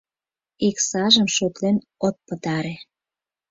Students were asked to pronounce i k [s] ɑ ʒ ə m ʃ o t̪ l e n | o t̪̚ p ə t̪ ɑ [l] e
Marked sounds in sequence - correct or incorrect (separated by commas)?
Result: correct, incorrect